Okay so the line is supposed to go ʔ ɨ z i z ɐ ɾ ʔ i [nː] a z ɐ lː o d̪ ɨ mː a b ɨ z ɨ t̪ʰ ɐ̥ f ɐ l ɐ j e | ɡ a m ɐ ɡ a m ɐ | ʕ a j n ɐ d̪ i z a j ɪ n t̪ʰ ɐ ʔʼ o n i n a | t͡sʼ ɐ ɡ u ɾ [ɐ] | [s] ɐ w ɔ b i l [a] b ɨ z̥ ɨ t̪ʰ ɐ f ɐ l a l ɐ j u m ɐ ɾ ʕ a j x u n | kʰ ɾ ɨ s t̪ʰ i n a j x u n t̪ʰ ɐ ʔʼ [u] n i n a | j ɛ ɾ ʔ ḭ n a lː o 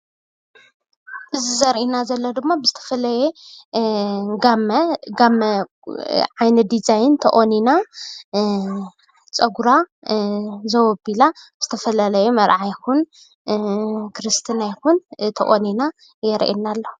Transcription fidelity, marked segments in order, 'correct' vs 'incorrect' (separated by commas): incorrect, incorrect, incorrect, correct, incorrect